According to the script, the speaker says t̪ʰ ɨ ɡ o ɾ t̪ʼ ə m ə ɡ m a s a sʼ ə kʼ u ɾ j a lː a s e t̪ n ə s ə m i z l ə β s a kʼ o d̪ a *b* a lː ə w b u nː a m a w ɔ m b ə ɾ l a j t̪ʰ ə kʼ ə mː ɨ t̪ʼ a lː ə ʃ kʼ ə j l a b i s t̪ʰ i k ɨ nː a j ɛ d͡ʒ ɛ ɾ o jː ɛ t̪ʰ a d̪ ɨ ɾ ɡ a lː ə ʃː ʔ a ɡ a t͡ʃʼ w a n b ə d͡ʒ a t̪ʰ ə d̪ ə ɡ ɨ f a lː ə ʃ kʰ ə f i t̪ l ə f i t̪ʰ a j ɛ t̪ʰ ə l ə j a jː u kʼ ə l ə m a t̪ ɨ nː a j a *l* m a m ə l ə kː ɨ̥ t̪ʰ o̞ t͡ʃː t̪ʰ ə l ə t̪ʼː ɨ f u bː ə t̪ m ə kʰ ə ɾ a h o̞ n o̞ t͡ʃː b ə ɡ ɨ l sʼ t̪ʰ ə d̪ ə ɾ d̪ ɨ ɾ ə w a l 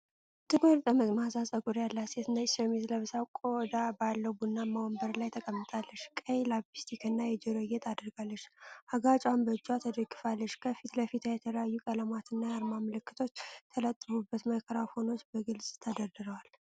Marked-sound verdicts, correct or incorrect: correct, incorrect: ɾ

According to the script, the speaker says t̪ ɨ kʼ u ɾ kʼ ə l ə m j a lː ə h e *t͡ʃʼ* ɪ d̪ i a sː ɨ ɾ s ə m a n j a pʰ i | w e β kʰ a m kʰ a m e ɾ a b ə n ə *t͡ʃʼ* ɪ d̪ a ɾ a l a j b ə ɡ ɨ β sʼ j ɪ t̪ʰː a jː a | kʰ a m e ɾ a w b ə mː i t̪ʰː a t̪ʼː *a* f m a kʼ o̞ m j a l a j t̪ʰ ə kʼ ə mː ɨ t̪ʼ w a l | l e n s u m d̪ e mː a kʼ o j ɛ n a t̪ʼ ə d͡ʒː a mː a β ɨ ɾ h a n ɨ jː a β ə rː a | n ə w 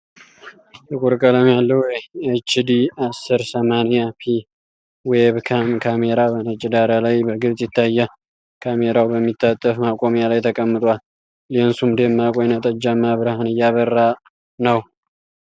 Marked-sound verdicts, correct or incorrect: incorrect: t͡ʃ, correct, incorrect: ə

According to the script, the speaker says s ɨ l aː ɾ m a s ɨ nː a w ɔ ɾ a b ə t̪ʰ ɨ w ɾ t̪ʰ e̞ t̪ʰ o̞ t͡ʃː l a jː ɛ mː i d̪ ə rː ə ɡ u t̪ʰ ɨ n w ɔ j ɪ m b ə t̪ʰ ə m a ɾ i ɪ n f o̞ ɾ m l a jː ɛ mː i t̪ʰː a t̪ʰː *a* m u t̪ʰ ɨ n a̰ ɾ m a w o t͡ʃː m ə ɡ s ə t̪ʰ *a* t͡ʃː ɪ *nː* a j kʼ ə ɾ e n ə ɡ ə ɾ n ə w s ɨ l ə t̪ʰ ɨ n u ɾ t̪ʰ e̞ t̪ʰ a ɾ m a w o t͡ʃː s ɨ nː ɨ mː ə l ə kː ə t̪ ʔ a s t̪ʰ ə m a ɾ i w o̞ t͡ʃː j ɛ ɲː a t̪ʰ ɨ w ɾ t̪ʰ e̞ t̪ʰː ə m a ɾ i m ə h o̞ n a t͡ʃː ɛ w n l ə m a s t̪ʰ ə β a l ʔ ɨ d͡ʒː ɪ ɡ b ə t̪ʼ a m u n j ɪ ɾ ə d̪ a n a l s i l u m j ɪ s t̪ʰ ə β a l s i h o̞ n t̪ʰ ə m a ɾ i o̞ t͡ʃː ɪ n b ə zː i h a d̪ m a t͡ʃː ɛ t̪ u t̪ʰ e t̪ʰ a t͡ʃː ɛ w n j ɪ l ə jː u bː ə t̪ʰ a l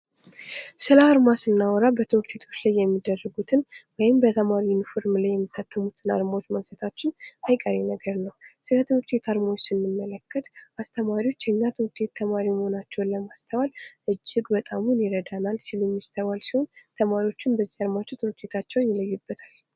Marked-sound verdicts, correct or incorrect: incorrect: ə, correct, incorrect: n

